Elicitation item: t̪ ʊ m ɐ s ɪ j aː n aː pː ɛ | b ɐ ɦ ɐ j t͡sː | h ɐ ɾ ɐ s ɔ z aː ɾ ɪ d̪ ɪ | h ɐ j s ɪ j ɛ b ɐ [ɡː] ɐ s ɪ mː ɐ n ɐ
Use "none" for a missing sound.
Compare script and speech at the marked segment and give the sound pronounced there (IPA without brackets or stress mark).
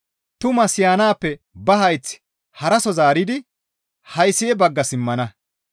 ɡː